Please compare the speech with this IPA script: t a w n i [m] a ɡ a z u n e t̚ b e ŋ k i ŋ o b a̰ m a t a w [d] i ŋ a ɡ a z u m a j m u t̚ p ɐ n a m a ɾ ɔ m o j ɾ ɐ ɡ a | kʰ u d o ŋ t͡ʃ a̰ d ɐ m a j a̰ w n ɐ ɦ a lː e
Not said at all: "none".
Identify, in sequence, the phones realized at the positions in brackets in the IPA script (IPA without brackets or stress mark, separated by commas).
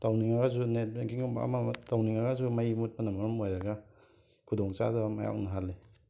ŋ, n